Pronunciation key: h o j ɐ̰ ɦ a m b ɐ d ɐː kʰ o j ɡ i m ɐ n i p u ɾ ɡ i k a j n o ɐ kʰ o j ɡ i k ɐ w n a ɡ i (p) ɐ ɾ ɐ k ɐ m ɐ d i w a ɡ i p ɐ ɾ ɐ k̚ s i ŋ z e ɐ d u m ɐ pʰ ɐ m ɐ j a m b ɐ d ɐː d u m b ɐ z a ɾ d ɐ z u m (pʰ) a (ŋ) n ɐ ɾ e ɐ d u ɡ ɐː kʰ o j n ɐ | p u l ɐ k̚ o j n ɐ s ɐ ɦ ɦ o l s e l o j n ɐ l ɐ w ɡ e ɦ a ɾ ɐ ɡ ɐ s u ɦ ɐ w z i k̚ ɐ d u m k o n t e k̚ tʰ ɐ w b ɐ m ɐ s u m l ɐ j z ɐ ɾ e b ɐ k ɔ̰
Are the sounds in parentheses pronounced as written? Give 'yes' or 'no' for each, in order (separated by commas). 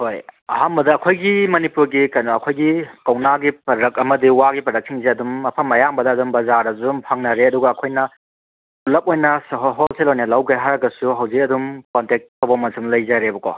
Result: yes, yes, yes